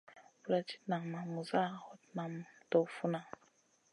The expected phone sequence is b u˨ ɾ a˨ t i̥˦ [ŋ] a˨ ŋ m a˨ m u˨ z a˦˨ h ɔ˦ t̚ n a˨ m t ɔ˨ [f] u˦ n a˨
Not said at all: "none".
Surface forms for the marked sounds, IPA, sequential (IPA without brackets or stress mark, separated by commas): n, f